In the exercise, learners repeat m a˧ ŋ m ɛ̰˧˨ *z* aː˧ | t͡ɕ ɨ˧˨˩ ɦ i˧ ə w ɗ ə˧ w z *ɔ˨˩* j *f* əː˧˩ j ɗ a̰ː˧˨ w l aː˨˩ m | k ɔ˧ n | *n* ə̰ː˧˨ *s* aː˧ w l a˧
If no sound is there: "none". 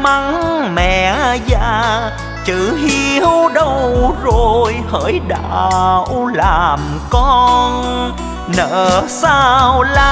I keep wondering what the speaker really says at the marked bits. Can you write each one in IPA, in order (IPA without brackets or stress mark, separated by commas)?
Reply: z, o˨˩, h, n, s